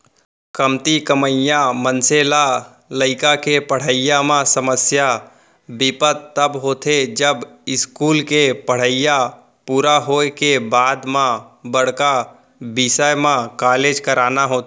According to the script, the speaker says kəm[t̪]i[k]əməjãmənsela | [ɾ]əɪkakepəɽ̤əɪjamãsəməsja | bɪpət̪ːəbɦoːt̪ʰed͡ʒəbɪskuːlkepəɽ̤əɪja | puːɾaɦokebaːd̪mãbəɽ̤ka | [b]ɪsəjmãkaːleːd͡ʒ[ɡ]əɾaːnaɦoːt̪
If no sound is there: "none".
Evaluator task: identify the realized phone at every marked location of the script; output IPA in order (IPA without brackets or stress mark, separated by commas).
t̪, k, l, b, k